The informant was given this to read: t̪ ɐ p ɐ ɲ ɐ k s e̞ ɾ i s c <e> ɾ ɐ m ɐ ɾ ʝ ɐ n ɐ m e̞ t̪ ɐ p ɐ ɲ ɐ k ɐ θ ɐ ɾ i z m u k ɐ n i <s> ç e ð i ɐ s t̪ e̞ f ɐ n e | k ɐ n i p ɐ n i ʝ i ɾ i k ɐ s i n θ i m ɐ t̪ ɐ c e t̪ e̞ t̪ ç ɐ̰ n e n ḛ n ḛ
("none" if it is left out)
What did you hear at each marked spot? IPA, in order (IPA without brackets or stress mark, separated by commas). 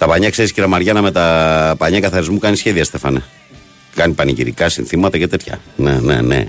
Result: i, s